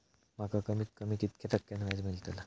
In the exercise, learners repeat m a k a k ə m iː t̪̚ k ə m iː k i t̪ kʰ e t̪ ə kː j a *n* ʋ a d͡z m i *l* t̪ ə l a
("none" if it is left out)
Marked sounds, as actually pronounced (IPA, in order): n, l

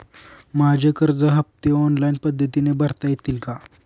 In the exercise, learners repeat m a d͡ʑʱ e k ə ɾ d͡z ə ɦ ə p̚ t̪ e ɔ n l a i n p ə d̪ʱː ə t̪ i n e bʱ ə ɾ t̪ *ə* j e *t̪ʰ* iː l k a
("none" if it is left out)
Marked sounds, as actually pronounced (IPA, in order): a, t̪

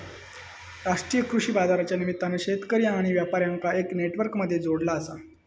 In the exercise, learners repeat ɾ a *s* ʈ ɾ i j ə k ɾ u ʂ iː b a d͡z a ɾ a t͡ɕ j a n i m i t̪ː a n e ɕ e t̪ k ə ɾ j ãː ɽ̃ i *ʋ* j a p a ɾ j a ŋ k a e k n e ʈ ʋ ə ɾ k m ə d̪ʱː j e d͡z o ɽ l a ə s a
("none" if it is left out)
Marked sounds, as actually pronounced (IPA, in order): ʂ, ʋ

